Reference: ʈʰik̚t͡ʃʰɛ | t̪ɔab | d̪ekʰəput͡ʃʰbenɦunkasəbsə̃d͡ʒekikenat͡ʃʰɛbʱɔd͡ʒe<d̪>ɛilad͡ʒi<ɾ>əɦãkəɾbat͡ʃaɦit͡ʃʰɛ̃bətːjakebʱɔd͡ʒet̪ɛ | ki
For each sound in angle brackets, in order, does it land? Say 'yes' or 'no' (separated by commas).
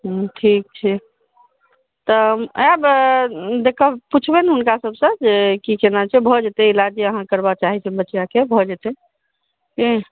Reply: no, no